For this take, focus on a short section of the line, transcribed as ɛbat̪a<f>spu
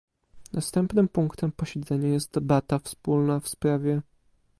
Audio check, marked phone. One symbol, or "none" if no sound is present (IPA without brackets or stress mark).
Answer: f